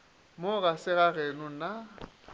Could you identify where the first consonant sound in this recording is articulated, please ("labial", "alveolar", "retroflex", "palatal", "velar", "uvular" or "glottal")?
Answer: labial